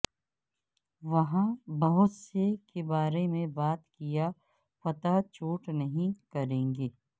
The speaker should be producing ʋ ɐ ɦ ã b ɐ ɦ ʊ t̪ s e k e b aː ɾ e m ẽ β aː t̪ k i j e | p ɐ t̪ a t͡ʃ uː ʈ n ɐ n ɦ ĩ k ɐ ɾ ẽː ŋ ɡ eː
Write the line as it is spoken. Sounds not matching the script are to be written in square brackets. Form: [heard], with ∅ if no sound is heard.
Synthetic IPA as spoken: ʋ ɐ ɦ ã b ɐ ɦ ʊ t̪ s e k e b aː ɾ e m ẽ [b] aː t̪ k i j [a] | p ɐ t̪ a t͡ʃ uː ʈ n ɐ [∅] ɦ ĩ k ɐ ɾ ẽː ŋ ɡ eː